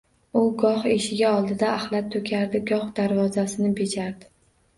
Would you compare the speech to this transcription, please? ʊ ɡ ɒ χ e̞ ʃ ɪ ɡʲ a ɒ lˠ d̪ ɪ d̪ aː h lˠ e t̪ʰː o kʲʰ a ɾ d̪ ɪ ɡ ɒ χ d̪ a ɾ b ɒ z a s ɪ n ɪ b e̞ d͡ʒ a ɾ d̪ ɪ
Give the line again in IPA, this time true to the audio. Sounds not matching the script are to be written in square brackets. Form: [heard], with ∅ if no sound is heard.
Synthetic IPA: ʊ ɡ ɒ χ e̞ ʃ ɪ ɡʲ a ɒ lˠ d̪ ɪ d̪ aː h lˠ [a] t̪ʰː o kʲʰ a ɾ d̪ ɪ ɡ ɒ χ d̪ a ɾ [v] ɒ z a s ɪ n ɪ b e̞ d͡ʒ a ɾ d̪ ɪ